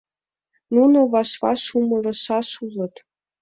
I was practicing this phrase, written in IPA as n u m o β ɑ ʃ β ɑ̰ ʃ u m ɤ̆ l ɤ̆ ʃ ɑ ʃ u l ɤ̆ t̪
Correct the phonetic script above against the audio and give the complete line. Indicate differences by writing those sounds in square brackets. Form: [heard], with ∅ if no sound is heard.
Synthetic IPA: n u [n] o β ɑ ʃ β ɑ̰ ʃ u m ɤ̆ l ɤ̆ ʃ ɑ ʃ u l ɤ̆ t̪